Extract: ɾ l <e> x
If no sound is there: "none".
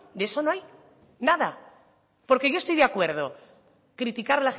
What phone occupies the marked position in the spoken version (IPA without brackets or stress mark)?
a